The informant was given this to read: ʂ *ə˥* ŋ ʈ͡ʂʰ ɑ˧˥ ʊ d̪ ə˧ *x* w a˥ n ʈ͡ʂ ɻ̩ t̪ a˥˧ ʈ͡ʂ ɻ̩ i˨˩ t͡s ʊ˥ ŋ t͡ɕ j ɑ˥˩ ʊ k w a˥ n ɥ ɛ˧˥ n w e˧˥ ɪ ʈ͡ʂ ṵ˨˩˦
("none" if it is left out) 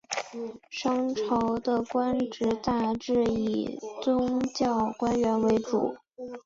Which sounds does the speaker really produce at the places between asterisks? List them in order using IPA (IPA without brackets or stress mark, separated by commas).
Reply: ɑ˥, k